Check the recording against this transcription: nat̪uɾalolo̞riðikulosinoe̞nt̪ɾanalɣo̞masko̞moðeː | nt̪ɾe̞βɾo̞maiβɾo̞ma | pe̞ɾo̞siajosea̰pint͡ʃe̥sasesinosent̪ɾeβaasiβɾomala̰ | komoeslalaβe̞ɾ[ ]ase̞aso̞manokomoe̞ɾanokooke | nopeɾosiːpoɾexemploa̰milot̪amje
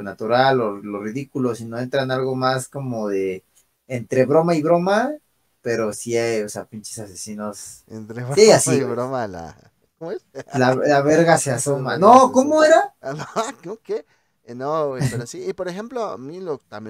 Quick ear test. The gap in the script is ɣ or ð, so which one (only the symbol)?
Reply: ɣ